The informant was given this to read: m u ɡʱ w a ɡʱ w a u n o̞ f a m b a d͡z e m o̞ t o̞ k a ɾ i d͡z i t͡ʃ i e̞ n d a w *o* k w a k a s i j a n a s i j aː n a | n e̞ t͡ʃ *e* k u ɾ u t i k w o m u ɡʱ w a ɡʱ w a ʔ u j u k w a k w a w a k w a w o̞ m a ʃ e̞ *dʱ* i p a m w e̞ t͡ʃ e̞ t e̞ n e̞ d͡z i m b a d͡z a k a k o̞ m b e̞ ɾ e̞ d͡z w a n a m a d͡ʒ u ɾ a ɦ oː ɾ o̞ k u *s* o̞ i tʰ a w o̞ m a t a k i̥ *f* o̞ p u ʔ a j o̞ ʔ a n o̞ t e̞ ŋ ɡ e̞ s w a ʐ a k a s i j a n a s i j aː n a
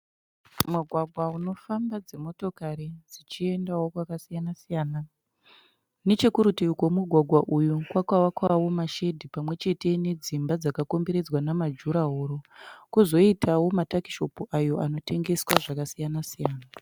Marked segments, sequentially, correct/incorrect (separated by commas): correct, correct, correct, incorrect, incorrect